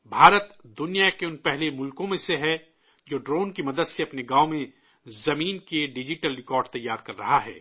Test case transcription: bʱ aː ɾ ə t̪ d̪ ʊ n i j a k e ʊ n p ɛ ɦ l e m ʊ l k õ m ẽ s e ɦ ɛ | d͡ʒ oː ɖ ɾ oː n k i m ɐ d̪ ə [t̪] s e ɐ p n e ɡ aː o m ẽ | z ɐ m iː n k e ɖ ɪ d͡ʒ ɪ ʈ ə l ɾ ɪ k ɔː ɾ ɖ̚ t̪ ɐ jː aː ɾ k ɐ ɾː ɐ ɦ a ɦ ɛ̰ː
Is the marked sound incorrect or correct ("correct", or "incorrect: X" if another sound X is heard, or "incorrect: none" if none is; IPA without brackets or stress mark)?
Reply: incorrect: d̪